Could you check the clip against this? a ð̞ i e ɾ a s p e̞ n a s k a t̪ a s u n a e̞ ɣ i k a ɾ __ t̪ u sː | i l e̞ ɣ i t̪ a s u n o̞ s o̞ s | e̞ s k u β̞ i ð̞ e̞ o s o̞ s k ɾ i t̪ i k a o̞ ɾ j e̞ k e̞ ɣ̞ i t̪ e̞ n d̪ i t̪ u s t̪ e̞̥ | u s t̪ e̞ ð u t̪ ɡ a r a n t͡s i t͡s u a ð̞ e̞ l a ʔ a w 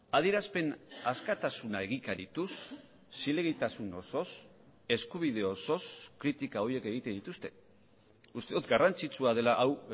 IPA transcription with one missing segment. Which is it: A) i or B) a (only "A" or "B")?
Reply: A